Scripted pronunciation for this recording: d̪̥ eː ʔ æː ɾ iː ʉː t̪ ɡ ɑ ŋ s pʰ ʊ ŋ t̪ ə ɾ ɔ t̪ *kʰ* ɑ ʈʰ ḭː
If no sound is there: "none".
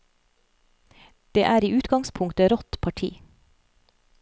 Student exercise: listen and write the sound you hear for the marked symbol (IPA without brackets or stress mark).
pʰ